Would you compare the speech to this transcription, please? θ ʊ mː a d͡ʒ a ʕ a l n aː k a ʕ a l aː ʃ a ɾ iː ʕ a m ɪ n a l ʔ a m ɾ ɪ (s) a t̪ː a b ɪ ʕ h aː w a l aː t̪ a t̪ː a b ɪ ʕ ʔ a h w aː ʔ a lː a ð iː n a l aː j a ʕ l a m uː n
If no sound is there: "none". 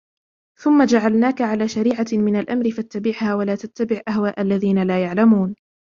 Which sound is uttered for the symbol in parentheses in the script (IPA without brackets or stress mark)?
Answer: f